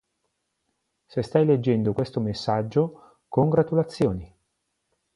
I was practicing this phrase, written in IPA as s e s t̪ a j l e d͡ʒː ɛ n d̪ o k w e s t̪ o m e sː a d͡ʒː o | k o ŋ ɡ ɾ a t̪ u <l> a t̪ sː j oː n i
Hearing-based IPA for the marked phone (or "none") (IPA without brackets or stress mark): l